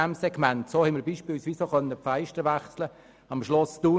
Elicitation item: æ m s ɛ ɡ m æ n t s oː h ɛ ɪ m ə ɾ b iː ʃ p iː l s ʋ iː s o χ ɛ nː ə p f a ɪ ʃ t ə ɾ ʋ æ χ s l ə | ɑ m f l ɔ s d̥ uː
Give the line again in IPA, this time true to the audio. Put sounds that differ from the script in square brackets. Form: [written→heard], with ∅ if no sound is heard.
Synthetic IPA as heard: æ m s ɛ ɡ m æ n t s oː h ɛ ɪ m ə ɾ b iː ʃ p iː l s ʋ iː s o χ [ɛ→œ] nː ə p f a ɪ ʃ t ə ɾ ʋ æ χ s l ə | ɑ m [f→ʃ] l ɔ s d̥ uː